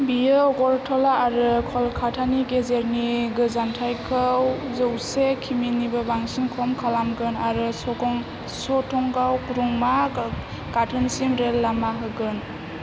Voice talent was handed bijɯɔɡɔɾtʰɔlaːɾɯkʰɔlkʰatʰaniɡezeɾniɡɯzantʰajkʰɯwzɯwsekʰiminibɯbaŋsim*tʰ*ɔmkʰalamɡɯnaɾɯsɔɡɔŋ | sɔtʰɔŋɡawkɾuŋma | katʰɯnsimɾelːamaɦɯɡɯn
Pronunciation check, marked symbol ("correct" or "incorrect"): incorrect